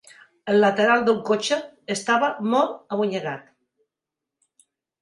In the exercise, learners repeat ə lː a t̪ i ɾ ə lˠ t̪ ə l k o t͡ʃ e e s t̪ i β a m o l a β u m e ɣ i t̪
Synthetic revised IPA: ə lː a t̪ e ɾ a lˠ d̪ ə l k o t͡ʃ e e s t̪ a β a m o l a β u ɲ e ɣ a t̪